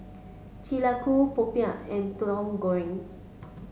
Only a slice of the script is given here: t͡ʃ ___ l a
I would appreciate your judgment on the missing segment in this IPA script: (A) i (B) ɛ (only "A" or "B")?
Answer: A